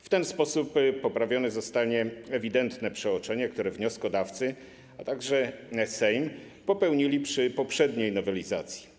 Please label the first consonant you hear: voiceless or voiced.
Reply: voiceless